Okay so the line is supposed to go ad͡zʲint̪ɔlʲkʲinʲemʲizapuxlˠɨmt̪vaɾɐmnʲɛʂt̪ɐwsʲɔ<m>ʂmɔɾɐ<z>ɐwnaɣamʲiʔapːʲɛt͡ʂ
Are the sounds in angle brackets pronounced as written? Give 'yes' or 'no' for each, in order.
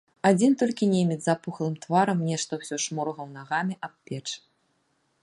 no, no

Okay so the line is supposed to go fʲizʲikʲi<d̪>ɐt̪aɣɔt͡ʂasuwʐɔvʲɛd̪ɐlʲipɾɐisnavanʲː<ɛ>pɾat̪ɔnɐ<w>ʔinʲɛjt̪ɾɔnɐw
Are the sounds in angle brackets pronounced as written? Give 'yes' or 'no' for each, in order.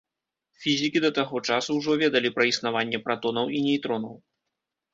yes, yes, yes

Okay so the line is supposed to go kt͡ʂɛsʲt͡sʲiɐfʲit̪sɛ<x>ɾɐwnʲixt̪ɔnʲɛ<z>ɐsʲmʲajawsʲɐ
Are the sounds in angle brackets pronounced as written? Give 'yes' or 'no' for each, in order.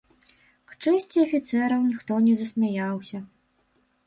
no, yes

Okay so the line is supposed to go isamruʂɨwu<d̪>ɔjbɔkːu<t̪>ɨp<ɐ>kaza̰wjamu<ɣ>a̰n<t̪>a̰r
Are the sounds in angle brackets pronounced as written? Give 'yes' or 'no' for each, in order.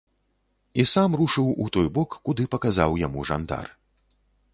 no, no, yes, no, no

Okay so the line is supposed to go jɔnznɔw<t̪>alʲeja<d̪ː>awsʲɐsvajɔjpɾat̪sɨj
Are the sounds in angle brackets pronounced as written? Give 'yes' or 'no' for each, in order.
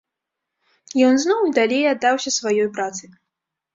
no, yes

